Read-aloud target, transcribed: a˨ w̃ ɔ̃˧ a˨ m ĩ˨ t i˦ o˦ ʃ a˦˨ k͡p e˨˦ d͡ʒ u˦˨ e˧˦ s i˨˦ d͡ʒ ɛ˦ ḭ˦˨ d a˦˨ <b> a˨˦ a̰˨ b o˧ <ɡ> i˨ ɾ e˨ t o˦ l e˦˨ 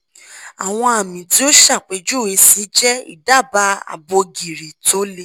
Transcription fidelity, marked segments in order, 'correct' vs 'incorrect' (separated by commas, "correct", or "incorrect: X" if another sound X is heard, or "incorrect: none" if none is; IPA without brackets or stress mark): correct, correct